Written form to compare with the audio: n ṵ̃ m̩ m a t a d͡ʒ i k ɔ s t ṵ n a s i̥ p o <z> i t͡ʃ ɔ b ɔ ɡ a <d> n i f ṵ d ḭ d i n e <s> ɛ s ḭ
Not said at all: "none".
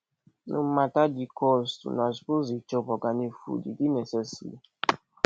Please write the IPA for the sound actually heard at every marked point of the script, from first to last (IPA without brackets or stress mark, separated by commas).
z, none, s